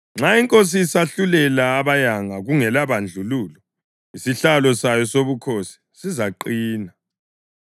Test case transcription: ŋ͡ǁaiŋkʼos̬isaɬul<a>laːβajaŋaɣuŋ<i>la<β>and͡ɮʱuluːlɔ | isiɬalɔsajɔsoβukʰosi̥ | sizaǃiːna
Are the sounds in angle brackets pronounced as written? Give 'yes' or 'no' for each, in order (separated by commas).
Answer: no, no, yes